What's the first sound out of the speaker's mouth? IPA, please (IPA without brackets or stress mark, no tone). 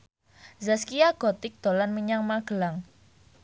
z